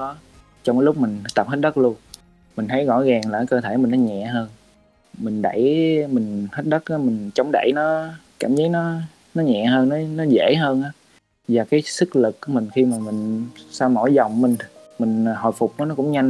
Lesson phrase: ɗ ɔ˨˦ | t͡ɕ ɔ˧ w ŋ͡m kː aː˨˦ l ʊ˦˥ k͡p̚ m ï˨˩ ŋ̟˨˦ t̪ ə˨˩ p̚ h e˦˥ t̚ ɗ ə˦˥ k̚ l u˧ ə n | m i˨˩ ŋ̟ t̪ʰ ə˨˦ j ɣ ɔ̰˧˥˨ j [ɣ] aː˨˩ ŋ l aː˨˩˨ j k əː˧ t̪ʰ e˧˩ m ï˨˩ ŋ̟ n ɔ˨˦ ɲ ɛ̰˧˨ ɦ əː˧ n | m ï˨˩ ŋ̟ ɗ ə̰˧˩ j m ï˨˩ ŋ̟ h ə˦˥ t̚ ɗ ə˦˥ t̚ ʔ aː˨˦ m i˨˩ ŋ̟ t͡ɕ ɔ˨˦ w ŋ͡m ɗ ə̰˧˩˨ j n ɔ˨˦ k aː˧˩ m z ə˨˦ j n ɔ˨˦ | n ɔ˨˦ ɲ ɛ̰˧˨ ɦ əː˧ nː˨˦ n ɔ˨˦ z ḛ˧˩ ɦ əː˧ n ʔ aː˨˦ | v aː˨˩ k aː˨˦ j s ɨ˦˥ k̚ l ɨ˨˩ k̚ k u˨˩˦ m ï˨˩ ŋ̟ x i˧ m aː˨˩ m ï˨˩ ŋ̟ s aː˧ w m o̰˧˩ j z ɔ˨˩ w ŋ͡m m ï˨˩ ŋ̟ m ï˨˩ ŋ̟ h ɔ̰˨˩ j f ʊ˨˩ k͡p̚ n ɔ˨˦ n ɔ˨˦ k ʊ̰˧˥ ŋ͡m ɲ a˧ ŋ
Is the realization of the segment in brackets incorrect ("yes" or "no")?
no